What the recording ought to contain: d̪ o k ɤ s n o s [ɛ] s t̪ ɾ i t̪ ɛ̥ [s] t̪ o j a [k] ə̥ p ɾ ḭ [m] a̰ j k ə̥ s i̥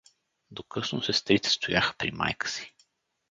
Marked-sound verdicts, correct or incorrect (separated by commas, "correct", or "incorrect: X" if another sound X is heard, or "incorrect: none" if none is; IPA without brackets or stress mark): correct, correct, incorrect: x, correct